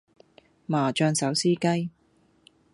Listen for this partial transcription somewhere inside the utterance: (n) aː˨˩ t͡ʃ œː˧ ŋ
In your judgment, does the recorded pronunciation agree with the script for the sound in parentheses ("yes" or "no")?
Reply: no